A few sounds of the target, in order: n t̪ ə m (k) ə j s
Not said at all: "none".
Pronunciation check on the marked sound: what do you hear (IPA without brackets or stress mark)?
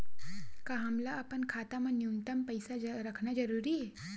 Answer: p